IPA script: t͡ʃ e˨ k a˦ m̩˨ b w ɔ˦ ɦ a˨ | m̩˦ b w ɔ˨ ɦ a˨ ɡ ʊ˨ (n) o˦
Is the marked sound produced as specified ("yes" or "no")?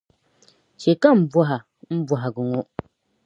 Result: no